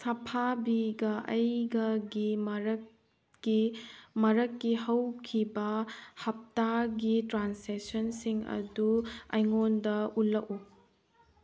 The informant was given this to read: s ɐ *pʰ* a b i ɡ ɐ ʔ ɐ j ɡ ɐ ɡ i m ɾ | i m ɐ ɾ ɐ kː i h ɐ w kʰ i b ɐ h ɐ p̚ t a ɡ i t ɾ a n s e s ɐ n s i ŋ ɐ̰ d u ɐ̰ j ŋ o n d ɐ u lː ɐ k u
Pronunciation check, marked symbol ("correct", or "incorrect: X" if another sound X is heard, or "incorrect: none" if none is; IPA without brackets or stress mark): correct